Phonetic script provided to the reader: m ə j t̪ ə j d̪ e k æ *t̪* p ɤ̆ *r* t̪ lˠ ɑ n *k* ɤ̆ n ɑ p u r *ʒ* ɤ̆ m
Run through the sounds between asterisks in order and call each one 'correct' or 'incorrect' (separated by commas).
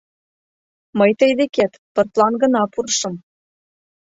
correct, correct, incorrect, incorrect